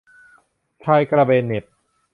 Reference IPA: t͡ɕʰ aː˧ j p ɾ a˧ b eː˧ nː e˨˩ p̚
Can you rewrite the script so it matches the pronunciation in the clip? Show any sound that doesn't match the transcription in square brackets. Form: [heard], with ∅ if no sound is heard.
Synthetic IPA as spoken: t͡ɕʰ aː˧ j [k] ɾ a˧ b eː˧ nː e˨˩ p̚